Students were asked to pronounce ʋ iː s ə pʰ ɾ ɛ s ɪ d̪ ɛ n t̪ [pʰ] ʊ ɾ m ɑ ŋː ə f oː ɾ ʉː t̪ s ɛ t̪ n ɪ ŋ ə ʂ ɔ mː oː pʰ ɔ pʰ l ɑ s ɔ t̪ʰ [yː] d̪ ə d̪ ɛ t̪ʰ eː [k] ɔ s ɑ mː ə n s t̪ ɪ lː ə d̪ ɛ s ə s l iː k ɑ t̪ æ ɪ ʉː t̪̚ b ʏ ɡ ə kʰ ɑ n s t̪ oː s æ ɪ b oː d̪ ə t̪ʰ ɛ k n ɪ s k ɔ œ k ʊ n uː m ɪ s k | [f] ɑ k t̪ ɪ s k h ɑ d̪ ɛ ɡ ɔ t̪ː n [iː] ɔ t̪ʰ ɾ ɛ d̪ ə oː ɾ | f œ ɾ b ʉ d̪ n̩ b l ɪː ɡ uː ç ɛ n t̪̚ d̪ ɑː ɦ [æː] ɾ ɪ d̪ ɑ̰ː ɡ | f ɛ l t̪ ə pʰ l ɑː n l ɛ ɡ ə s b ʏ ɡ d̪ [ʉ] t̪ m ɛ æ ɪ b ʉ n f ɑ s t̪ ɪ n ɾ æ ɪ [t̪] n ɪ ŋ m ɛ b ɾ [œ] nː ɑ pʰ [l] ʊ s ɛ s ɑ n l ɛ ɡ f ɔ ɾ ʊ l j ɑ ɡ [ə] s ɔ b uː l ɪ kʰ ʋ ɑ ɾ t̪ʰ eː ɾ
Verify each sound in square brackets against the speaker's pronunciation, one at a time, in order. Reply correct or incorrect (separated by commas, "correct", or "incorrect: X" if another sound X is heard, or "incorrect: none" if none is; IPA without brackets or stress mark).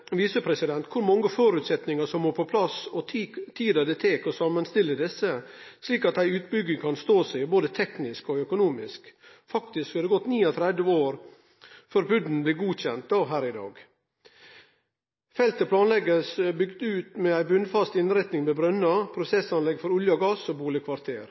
incorrect: kʰ, incorrect: iː, correct, correct, correct, correct, incorrect: ʉː, correct, correct, incorrect: ɾ, incorrect: ɑ